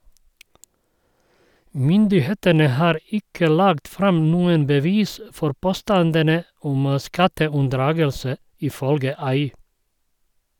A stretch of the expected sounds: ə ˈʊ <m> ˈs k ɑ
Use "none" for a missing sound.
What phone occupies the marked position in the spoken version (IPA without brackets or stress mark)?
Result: m